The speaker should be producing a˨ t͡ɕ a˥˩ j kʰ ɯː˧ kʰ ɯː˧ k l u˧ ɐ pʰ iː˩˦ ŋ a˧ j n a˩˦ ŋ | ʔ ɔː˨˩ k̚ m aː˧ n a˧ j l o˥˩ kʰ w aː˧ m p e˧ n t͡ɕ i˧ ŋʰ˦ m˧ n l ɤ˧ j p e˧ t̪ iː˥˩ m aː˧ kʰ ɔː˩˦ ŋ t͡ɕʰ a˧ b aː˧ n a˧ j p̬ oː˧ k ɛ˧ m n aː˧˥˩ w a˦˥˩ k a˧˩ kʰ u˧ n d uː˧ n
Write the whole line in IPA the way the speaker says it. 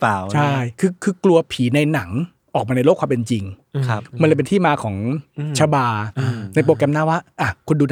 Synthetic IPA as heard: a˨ t͡ɕʰ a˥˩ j kʰ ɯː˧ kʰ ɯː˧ k l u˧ ɐ pʰ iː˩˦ n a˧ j n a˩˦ ŋ | ʔ ɔː˨˩ k̚ m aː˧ n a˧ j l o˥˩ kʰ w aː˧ m p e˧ n t͡ɕ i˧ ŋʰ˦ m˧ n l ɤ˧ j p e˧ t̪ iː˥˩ m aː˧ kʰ ɔː˩˦ ŋ t͡ɕʰ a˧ b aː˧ n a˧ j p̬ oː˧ k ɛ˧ m n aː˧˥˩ w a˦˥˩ ʔ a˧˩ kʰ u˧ n d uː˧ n